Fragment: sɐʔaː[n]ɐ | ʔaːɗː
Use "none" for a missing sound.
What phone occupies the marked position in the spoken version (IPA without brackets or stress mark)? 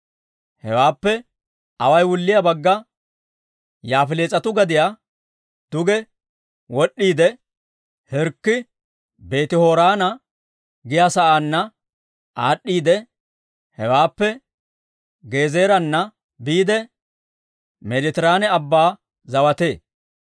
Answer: nː